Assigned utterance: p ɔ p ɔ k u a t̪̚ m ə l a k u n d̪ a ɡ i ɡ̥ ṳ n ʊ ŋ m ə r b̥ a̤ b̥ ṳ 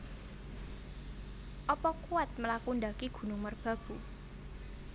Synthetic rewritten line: ʔ ɔ p ɔ k u a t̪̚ m ə l a k u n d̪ a k i ɡ̥ ṳ n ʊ ŋ m ə r b̥ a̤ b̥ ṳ